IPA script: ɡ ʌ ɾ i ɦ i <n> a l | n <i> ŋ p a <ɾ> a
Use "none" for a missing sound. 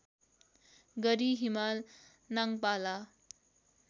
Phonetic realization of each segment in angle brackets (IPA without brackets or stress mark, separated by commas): m, a, l